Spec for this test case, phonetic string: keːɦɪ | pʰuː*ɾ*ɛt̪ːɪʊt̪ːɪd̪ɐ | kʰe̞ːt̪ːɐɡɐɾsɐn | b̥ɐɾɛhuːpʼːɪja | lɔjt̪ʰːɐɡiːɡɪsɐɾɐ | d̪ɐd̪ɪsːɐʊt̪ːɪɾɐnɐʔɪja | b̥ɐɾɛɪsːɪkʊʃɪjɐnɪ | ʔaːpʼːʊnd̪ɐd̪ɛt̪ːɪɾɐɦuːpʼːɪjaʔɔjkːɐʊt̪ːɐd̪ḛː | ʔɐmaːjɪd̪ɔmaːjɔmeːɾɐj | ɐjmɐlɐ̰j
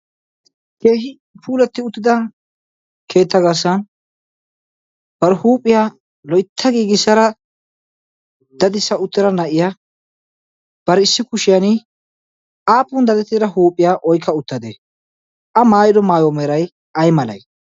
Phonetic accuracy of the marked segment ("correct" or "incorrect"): incorrect